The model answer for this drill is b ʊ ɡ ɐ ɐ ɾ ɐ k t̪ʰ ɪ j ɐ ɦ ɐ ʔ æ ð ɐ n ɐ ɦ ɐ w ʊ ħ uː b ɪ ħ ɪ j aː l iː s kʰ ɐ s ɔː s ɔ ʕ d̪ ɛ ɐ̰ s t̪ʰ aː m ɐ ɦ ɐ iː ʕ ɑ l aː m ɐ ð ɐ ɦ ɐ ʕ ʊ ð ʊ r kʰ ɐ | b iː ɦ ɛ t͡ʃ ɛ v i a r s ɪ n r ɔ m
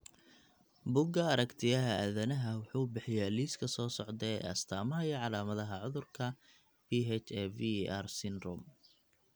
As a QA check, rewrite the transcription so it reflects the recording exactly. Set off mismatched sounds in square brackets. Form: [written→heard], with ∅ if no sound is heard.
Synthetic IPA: b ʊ ɡ ɐ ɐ ɾ ɐ k t̪ʰ ɪ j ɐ ɦ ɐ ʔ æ ð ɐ n ɐ ɦ ɐ w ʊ ħ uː b ɪ ħ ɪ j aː l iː s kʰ ɐ s ɔː s ɔ ʕ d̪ ɛ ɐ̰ s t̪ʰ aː m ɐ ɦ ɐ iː ʕ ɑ l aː m ɐ ð ɐ ɦ ɐ ʕ ʊ ð ʊ r kʰ ɐ | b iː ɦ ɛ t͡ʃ ɛ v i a r s ɪ n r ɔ m